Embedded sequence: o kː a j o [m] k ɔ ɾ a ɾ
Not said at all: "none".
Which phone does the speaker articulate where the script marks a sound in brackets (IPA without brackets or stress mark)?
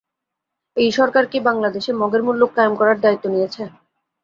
m